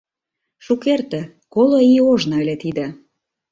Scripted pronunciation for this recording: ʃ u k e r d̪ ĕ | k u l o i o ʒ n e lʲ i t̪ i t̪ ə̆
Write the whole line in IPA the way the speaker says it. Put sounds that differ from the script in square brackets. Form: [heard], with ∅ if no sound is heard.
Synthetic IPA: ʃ u k e r [t̪] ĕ | k [o] l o i o ʒ n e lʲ [e] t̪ i [d̪] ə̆

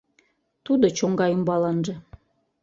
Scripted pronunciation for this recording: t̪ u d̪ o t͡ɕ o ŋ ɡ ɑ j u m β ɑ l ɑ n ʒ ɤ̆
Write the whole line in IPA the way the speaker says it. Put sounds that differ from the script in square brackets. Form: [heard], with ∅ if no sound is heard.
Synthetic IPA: t̪ u d̪ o t͡ɕ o ŋ ɡ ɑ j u m [b] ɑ l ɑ n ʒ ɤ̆

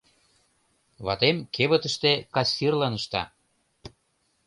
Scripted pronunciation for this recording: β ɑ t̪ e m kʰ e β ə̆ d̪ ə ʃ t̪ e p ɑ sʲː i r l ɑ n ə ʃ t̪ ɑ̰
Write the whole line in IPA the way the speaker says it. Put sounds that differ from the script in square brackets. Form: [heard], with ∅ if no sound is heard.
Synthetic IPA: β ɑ t̪ e m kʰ e β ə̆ [t̪] ə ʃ t̪ e [k] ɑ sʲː i r l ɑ n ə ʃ t̪ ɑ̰

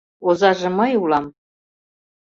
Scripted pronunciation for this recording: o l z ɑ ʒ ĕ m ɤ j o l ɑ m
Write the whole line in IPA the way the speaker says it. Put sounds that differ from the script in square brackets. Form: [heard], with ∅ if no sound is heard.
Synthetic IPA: o [∅] z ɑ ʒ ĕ m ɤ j [u] l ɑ m

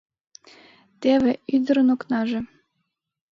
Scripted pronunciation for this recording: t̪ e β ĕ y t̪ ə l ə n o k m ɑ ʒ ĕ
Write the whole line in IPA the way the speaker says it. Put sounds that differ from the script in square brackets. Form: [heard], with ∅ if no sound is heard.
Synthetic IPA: t̪ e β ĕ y [d̪] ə [ɾ] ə n o k [n] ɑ ʒ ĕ

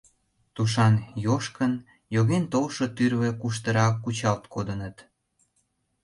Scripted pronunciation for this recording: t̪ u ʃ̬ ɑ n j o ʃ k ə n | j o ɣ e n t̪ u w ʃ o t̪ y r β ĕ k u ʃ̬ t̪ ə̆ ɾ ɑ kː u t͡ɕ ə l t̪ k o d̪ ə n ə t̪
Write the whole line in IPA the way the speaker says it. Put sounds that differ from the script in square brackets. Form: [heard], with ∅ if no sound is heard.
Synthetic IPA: t̪ u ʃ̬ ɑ n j o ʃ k ə n | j o ɣ e n t̪ [o] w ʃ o t̪ y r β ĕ k u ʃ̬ t̪ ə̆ ɾ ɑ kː u t͡ɕ [ɑ] l t̪ k o d̪ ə n ə t̪

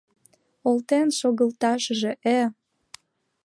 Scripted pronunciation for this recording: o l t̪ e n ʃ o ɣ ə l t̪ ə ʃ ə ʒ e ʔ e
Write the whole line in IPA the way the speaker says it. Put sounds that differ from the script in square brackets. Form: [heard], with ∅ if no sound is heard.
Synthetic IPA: o l t̪ e n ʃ o ɣ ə l t̪ [ɑ] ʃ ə ʒ e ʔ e

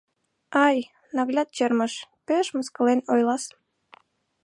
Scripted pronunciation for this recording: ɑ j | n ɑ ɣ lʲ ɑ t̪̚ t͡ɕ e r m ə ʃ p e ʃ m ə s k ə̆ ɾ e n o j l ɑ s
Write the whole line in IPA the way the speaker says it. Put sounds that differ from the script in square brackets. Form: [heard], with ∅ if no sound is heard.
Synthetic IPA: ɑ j | n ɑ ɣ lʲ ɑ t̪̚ t͡ɕ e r m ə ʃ p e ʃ m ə s k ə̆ [l] e n o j l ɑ s

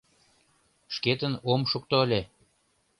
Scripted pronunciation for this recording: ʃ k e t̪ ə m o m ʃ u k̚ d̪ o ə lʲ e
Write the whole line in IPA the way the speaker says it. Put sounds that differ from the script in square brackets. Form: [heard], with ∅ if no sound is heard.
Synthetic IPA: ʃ k e t̪ ə [n] o m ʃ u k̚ [t̪] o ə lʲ e

